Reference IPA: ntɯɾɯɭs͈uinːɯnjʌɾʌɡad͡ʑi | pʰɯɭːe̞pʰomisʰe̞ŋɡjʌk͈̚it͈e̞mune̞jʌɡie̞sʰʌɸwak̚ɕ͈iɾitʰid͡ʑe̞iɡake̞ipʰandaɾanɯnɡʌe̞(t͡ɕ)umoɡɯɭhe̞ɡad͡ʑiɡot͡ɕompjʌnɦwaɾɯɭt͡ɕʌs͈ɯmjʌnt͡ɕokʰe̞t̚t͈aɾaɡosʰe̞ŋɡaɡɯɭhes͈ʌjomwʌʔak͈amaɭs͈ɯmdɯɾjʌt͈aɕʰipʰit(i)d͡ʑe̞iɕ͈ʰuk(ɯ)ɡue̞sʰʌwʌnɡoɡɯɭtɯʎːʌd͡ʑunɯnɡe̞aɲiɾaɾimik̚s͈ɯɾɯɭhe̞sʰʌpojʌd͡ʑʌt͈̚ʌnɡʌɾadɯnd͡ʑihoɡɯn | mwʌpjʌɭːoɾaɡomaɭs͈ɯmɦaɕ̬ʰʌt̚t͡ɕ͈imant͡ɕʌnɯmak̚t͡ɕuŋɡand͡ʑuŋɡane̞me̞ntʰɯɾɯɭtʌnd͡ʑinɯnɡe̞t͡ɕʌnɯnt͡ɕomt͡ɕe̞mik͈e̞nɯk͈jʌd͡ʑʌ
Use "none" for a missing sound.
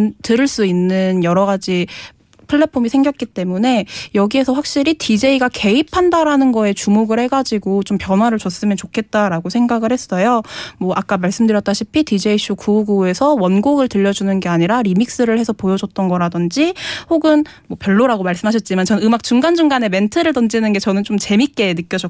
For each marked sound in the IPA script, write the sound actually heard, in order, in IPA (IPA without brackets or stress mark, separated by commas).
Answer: t͡ɕ, i, u